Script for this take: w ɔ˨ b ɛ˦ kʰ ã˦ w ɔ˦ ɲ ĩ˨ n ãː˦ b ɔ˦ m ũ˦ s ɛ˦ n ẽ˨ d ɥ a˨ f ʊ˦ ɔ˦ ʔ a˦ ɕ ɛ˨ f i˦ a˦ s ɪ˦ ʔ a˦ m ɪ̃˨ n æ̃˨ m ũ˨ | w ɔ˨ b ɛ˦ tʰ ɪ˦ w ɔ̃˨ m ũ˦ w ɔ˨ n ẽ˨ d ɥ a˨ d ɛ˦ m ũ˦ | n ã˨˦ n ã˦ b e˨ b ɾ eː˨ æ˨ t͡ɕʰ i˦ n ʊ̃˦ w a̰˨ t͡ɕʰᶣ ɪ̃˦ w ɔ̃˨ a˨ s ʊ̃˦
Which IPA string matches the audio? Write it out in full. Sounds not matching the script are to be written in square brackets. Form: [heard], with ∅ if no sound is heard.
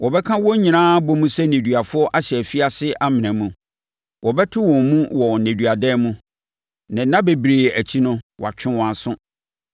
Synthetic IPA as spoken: w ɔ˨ b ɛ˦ kʰ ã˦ w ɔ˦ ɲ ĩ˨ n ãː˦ b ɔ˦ m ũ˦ s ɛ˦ n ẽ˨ d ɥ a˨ f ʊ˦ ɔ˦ ʔ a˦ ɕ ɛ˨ f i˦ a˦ s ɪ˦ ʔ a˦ m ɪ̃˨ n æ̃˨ m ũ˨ | w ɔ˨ b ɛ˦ tʰ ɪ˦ w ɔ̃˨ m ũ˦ w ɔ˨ n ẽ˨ d ɥ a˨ d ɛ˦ m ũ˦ | n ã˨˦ n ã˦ b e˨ b ɾ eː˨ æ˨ t͡ɕʰ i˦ n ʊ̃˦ w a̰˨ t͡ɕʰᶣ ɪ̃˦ w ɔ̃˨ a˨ s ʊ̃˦

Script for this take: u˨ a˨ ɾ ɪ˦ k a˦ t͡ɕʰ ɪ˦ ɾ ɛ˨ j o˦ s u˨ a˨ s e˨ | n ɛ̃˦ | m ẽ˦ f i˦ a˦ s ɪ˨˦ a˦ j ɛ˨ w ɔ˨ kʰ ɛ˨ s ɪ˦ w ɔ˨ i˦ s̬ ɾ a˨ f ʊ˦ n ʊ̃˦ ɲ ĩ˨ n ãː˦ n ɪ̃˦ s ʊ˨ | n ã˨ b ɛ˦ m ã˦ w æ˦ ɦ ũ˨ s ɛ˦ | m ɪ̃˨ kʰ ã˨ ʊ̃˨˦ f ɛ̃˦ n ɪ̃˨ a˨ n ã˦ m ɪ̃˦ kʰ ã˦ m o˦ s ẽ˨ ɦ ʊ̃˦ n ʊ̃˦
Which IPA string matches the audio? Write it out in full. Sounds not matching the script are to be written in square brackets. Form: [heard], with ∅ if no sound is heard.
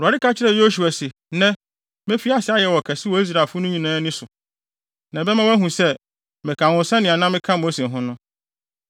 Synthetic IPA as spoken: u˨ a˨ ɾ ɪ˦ k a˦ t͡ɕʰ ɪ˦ ɾ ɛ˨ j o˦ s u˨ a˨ s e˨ | n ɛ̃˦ | m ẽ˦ f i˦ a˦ s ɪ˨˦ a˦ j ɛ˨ w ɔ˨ kʰ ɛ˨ s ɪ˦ w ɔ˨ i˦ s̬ ɾ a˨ f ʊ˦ n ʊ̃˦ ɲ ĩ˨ n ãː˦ n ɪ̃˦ s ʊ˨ | n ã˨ b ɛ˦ m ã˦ w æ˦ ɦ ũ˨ s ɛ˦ | m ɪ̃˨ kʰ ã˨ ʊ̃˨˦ [s] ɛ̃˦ n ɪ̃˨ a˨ n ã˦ m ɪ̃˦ kʰ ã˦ m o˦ s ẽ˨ ɦ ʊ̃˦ n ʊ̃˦

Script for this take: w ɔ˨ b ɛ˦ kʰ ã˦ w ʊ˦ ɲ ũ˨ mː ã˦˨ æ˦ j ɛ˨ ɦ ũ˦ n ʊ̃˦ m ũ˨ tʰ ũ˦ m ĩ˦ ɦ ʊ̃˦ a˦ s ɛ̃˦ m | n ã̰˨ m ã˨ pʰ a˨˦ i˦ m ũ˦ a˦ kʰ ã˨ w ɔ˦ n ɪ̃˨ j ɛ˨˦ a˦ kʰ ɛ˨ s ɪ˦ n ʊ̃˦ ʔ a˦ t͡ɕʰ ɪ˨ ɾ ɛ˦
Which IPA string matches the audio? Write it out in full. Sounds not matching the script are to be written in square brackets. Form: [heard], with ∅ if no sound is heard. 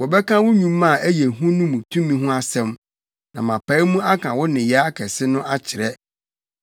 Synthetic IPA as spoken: w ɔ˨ b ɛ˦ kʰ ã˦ w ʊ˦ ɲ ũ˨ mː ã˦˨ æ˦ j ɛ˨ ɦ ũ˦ n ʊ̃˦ m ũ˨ tʰ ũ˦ m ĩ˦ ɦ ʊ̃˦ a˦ s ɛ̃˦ m | n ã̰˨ m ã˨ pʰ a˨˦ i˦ m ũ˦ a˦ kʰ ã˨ w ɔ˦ n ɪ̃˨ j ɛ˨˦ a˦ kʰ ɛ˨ s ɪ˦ n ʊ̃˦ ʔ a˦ t͡ɕʰ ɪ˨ ɾ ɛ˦

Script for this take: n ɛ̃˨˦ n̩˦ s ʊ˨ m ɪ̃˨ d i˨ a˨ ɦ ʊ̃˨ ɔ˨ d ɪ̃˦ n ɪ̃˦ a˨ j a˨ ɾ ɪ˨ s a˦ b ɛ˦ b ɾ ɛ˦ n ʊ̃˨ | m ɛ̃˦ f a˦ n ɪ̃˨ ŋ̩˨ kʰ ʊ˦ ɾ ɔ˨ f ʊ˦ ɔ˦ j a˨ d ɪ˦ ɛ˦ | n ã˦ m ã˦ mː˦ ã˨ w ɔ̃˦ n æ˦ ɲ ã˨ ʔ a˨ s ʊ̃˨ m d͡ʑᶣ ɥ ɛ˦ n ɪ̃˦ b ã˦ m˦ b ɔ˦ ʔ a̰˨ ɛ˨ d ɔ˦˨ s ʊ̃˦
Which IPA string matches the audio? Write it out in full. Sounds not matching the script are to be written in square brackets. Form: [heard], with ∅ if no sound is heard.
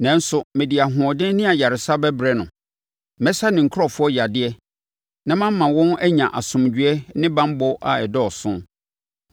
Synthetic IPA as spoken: n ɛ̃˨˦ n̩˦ s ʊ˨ m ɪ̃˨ d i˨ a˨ ɦ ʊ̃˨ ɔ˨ d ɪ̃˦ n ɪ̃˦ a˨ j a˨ ɾ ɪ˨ s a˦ b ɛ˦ b ɾ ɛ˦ n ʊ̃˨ | m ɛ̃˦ [s] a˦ n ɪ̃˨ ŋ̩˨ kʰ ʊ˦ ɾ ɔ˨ f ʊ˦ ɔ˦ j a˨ d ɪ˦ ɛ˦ | n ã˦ m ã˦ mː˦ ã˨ w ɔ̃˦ n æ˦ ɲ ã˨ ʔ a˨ s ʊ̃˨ m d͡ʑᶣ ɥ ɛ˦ n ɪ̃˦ b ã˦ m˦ b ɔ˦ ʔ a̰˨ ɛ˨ d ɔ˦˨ s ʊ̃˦

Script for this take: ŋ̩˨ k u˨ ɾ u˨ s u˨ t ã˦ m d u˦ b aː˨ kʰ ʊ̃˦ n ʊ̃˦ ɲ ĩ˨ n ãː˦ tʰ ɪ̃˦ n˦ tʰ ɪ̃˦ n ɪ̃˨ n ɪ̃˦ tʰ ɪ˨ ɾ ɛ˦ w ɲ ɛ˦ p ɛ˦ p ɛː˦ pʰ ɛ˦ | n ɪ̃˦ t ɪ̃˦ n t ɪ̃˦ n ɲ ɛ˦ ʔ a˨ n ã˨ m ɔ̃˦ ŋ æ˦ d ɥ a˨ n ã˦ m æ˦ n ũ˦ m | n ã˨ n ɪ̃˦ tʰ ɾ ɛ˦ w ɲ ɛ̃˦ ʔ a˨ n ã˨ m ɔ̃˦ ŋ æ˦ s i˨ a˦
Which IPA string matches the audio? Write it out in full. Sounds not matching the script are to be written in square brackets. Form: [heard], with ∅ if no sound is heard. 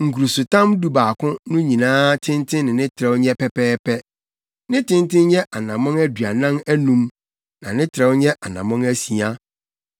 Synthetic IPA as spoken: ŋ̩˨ k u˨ ɾ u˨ s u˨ t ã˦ m d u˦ b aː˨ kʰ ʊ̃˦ n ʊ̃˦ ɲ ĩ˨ n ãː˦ tʰ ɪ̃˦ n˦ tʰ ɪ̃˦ n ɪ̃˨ n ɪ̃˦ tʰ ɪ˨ ɾ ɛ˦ w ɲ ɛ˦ p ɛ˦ p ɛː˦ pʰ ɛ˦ | n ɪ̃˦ t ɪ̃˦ n t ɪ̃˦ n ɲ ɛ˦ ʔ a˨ n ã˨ m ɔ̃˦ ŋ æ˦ d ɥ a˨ n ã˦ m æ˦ n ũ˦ m | n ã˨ n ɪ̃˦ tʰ ɾ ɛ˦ w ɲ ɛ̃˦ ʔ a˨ n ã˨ m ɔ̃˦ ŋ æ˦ s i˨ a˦

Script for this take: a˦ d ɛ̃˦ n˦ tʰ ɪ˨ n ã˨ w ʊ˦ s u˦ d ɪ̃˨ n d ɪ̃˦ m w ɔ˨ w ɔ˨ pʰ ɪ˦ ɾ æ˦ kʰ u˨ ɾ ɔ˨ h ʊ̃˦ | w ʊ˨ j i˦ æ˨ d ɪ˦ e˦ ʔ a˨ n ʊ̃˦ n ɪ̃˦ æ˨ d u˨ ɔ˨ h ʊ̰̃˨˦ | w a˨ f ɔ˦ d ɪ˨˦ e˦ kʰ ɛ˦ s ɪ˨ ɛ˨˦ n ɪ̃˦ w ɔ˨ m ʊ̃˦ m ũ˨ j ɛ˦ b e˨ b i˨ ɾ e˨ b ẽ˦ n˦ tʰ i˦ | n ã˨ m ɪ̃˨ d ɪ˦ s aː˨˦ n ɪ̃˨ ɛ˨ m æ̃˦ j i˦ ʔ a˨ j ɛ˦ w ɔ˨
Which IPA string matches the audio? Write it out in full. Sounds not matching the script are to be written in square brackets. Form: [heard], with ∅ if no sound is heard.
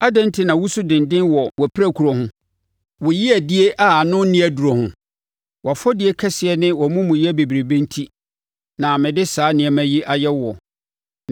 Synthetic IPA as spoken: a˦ d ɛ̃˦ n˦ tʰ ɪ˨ n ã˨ w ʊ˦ s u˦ d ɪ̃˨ n d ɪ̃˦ [n] w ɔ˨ w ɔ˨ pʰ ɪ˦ ɾ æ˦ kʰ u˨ ɾ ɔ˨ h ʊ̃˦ | w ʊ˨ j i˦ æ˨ d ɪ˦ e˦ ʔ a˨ n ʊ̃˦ n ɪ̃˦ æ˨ d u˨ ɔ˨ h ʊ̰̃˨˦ | w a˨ f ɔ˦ d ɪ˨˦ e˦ kʰ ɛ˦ s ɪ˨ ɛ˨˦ n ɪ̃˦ w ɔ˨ m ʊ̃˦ m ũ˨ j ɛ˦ b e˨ b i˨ ɾ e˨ b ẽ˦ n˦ tʰ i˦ | n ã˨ m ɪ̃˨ d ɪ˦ s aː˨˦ n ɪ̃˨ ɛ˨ m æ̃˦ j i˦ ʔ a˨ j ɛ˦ w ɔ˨

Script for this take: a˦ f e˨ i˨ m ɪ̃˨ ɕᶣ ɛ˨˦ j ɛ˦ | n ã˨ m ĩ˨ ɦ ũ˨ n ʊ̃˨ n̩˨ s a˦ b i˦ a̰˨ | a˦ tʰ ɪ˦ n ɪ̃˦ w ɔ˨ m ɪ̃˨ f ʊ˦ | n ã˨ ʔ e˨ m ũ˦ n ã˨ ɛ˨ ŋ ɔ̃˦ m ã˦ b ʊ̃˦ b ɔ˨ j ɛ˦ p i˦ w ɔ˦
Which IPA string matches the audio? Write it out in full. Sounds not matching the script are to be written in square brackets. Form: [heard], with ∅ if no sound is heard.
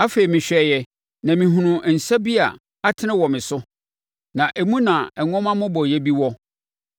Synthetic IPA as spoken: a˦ f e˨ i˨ m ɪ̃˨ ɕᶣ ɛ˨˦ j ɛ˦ | n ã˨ m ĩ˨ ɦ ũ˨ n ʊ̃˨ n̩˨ s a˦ b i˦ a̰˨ | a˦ tʰ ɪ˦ n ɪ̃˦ w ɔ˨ m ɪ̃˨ [s] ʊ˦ | n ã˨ ʔ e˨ m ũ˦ n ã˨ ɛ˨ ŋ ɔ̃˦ m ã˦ [m] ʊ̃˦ b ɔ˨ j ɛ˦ [b] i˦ w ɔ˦

